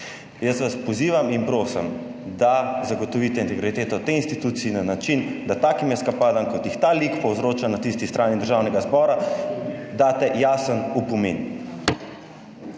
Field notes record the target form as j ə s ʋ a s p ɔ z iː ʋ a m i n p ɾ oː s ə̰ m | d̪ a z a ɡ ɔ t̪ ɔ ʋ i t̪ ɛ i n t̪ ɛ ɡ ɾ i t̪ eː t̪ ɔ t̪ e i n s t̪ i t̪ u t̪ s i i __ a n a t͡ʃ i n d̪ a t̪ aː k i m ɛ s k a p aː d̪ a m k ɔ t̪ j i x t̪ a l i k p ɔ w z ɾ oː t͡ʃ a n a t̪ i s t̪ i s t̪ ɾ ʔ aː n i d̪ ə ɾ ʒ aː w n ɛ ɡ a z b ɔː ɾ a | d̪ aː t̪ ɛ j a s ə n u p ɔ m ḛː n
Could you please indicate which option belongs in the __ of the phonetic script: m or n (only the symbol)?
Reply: n